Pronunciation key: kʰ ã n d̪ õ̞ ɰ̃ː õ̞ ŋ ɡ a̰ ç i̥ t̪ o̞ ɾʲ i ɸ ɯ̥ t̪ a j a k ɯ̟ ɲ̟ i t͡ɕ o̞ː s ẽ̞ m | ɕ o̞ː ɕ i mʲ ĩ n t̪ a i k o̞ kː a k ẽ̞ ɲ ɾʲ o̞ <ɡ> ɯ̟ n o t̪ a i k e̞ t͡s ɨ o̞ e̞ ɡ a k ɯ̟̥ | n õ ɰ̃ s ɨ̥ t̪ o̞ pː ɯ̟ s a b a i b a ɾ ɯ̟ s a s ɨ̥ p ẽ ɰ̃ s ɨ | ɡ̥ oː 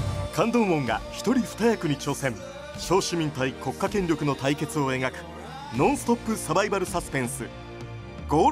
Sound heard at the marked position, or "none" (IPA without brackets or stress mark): k